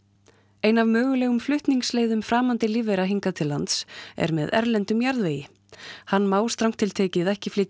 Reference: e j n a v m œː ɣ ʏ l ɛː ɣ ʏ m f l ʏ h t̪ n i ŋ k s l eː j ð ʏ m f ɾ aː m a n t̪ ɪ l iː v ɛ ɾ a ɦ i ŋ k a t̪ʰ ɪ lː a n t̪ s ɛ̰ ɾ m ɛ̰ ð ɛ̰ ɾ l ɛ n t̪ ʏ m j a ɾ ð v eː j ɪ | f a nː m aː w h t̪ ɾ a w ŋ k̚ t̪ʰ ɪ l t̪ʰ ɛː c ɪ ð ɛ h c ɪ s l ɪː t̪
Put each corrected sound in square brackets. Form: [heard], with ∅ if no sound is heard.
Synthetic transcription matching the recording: e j n a v m œː ɣ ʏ l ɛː ɣ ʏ m f l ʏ h t̪ n i ŋ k s l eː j ð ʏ m f ɾ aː m a n t̪ ɪ l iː v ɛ ɾ a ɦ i ŋ k a t̪ʰ ɪ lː a n t̪ s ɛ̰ ɾ m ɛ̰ ð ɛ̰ ɾ l ɛ n t̪ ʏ m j a ɾ ð v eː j ɪ | [h] a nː m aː w [s] t̪ ɾ a w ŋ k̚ t̪ʰ ɪ l t̪ʰ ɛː c ɪ ð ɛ h c ɪ [f] l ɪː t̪

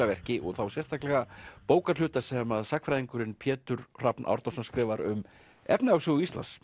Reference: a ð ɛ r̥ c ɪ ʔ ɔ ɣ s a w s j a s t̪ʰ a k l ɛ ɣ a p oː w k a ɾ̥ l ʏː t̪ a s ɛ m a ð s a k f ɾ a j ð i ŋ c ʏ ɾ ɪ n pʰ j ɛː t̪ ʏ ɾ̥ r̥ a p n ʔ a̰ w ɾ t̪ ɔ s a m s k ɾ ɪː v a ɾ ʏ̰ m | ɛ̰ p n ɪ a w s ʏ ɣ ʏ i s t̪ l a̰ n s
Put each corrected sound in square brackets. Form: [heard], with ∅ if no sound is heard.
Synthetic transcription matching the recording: a [v] ɛ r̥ c ɪ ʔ ɔ ɣ [θ] a w s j [ɛ] s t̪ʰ a k l ɛ ɣ a p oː w k a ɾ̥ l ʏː t̪ a s ɛ m a ð s a k f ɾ a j ð i ŋ [k] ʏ ɾ ɪ n pʰ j ɛː t̪ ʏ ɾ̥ r̥ a p n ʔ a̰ w ɾ t̪ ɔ s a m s k ɾ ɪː v a ɾ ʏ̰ m | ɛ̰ p n ɪ a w s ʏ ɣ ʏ i s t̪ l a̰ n s

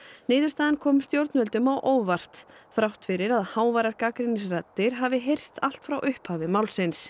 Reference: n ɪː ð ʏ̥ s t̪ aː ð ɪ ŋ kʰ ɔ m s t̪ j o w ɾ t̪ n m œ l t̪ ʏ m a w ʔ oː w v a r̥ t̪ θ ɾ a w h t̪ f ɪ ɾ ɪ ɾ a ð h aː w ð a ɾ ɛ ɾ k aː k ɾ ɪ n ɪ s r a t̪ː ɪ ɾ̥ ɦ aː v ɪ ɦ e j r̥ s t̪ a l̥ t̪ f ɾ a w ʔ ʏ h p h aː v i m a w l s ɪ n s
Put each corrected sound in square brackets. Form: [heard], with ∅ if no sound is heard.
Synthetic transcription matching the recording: n ɪː ð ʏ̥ s t̪ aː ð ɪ [n] kʰ ɔ m s t̪ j o w ɾ t̪ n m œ l t̪ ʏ m a w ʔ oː w v a r̥ t̪ θ ɾ a w h t̪ f ɪ ɾ ɪ ɾ a ð h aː w [v] a ɾ [a] ɾ k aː k ɾ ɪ n ɪ s r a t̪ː ɪ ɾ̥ ɦ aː v ɪ ɦ e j r̥ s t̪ a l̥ t̪ f ɾ a w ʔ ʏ h p h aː v [ɪ] m a w l s ɪ n s

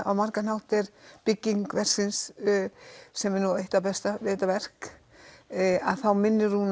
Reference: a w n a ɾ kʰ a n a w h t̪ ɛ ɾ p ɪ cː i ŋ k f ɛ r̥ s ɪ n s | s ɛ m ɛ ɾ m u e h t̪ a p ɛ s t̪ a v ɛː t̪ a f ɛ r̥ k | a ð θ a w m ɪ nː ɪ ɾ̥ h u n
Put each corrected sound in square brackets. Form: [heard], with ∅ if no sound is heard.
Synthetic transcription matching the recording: a w [m] a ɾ [k] a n a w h t̪ ɛ ɾ p ɪ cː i ŋ k [v] ɛ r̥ s ɪ n s | s ɛ m ɛ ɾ [n] u e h t̪ a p ɛ s t̪ a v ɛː t̪ a [v] ɛ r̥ k | a ð θ a w m ɪ nː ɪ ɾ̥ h u n

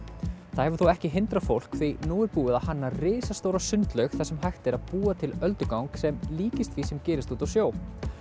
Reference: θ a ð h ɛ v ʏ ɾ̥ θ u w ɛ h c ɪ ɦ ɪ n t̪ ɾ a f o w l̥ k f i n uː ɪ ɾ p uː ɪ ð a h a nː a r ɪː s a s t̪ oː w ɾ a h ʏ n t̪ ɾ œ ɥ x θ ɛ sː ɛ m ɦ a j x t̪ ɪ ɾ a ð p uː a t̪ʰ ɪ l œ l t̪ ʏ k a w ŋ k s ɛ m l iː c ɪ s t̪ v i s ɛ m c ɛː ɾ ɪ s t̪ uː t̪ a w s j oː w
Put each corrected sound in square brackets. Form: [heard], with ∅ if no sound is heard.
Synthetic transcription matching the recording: θ a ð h ɛ v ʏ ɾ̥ θ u w ɛ h c ɪ ɦ ɪ n t̪ ɾ a f o w l̥ k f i n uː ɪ ɾ p uː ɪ ð a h a nː a r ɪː s a s t̪ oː w ɾ a [s] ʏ n t̪ [l] œ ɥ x θ ɛ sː ɛ m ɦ a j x t̪ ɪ ɾ a ð p uː a t̪ʰ ɪ l œ l t̪ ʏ k a w ŋ k s ɛ m l iː c ɪ s t̪ v i s ɛ m c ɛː ɾ ɪ s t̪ uː t̪ a w s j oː w

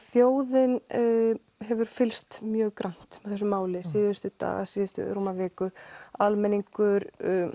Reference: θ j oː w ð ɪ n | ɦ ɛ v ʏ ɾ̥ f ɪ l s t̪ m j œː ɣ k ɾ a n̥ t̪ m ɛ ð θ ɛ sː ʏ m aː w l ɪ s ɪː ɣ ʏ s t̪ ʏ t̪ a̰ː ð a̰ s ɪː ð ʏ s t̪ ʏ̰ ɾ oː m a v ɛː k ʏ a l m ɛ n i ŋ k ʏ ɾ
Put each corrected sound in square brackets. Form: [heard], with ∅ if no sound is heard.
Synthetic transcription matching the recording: θ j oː w ð ɪ n | ɦ ɛ v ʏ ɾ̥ f ɪ l s t̪ m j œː ɣ k ɾ a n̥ t̪ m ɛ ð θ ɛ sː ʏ m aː w l ɪ s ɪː [ð] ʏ s t̪ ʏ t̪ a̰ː [ɣ] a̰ s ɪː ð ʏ s t̪ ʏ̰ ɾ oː m a v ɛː k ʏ a l m ɛ n i ŋ k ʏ ɾ

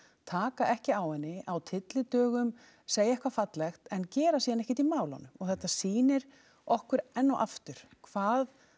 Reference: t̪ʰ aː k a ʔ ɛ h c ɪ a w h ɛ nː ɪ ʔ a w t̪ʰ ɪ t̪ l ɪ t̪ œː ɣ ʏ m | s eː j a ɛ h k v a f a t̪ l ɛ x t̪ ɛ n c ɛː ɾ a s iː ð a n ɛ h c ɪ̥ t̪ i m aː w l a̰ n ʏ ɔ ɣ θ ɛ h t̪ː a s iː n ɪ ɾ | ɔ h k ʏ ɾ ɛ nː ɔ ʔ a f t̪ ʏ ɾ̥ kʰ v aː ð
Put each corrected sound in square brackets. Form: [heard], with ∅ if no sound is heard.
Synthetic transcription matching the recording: t̪ʰ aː k a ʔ ɛ h c ɪ a w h ɛ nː ɪ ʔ a w t̪ʰ ɪ t̪ l ɪ t̪ œː ɣ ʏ m | s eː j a ɛ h k v a f a t̪ l ɛ x t̪ ɛ n c ɛː ɾ a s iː ð a n ɛ h c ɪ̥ t̪ i m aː w l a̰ n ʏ ɔ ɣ θ ɛ h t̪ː a s iː n ɪ ɾ | ɔ h k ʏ ɾ ɛ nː ɔ ʔ a f t̪ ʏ ɾ̥ kʰ v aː ð

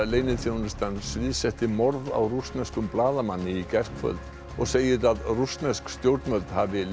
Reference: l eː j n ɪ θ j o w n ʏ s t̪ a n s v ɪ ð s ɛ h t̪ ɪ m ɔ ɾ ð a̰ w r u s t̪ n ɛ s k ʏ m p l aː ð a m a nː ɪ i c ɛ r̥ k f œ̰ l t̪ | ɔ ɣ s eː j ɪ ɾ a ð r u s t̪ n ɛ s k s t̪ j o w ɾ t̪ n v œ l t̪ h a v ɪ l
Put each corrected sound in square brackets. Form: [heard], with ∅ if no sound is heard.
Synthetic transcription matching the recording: l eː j n ɪ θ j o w n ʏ s t̪ a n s v ɪ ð s ɛ h t̪ ɪ m ɔ ɾ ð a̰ w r u s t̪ n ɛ s k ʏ m p l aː ð a m a nː ɪ i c ɛ r̥ k f œ̰ l t̪ | ɔ ɣ s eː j ɪ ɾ a ð r u s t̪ n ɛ s k s t̪ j o w ɾ t̪ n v œ l t̪ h a v ɪ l

